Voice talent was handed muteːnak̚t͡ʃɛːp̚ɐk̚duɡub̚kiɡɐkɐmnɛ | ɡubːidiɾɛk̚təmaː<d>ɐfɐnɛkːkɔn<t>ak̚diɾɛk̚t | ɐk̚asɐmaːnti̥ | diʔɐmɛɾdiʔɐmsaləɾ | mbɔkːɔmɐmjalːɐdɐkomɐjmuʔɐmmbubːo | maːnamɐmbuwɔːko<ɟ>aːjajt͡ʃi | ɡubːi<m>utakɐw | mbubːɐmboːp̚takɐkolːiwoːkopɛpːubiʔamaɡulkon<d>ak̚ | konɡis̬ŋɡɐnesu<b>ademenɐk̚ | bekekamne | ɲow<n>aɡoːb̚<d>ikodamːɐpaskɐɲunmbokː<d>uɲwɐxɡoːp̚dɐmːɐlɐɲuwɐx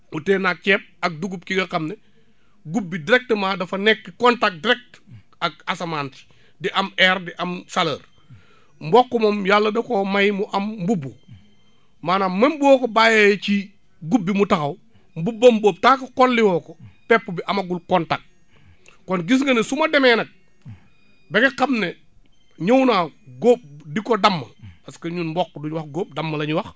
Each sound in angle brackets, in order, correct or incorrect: correct, correct, incorrect: b, correct, incorrect: t, incorrect: m, correct, correct, correct

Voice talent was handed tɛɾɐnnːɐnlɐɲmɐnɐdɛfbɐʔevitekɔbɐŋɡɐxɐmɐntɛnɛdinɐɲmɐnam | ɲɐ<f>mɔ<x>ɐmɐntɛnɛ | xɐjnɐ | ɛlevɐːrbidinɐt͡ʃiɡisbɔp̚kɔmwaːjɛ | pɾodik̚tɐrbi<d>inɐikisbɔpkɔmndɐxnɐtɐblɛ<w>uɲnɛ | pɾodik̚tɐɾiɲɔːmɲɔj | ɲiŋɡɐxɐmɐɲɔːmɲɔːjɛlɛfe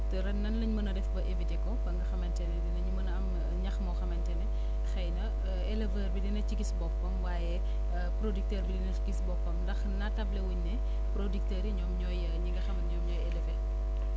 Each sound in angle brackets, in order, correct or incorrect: incorrect: x, correct, correct, correct

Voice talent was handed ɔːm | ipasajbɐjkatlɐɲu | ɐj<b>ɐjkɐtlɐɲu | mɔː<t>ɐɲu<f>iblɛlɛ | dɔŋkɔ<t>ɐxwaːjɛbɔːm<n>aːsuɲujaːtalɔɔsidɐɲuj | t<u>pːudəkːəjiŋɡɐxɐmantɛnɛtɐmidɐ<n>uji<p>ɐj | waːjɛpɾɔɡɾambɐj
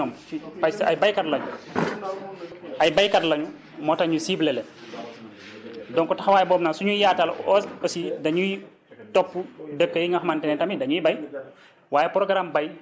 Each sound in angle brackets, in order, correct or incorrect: correct, correct, incorrect: s, correct, correct, incorrect: ɔ, incorrect: ɲ, incorrect: b

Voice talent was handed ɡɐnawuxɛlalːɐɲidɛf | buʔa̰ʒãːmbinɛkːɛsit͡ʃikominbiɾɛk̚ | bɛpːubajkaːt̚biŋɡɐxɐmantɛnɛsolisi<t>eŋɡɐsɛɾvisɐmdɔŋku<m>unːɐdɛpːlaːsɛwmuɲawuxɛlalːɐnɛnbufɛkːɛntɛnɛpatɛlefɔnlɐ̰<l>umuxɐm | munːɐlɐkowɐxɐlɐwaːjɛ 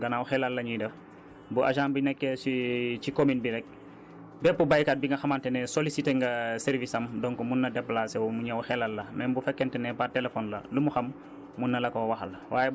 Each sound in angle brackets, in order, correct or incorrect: correct, correct, correct

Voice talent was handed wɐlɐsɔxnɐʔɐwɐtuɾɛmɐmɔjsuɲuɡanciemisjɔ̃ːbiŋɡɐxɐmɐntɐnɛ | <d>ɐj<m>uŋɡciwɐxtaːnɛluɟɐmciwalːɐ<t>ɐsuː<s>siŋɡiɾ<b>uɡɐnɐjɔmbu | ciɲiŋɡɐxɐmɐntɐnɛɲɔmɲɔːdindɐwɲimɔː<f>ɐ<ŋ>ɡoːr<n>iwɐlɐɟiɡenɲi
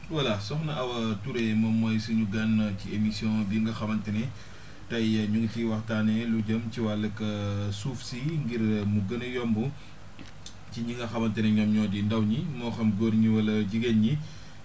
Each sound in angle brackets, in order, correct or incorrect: incorrect: t, incorrect: ɲ, incorrect: k, incorrect: f, incorrect: m, incorrect: x, incorrect: m, incorrect: ɲ

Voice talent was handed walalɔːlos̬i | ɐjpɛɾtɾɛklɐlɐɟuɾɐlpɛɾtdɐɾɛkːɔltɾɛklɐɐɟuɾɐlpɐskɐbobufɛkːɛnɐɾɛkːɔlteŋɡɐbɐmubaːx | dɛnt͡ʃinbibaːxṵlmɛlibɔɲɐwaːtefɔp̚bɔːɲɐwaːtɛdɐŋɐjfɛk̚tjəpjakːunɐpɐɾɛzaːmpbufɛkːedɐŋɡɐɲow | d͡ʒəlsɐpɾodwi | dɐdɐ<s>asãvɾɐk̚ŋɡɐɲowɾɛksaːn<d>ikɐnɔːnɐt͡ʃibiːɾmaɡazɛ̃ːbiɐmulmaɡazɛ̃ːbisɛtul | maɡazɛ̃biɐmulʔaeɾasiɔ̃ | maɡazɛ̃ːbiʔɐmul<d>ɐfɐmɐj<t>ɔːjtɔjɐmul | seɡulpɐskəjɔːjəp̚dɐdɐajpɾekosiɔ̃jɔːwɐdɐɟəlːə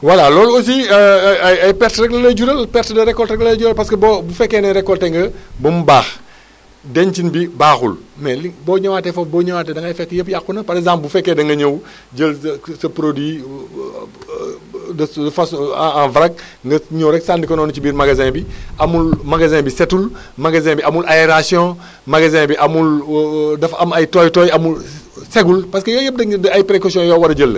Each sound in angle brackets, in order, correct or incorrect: incorrect: f, correct, correct, correct

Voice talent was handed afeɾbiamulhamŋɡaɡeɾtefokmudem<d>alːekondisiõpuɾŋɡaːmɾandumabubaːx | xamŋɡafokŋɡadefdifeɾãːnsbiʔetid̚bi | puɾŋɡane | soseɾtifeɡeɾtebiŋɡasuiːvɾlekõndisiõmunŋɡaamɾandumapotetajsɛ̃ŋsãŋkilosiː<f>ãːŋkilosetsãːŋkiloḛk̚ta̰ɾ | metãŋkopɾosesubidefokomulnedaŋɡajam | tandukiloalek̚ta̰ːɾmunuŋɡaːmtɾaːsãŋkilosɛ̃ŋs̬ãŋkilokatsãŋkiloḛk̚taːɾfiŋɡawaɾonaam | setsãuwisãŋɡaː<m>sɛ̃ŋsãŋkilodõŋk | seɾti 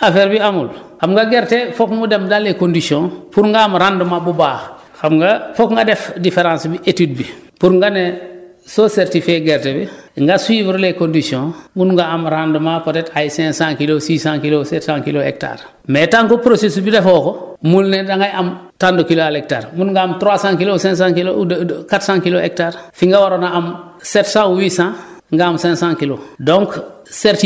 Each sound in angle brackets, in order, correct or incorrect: correct, incorrect: s, correct

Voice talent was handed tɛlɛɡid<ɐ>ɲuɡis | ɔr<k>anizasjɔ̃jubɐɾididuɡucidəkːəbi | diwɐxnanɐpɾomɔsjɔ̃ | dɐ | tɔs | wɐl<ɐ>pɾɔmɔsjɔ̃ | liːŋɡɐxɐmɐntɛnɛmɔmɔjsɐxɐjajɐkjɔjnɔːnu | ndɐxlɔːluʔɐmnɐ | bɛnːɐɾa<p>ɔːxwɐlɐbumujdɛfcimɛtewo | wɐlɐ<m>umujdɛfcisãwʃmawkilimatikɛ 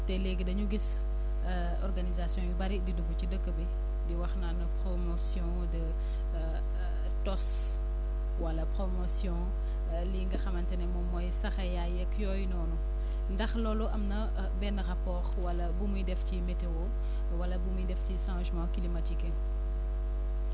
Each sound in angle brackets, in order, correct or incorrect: correct, incorrect: ɡ, correct, correct, incorrect: b

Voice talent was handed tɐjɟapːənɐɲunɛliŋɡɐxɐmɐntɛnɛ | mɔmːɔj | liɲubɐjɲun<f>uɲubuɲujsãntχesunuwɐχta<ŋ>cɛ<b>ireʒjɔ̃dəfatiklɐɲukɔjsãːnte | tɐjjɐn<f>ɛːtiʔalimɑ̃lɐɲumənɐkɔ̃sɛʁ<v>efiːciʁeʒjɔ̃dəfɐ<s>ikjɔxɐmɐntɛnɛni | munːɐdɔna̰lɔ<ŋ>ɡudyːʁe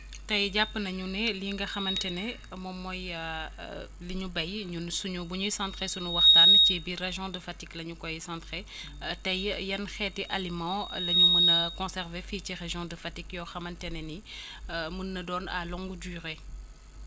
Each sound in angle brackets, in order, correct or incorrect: incorrect: s, incorrect: n, correct, incorrect: x, correct, incorrect: t, correct

